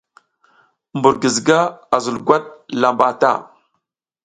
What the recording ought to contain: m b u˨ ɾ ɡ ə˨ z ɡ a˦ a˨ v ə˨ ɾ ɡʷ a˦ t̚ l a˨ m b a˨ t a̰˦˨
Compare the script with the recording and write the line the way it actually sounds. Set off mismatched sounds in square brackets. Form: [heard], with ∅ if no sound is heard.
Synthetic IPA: m b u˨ ɾ ɡ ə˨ z ɡ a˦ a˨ [z] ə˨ [l] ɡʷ a˦ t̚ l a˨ m b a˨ t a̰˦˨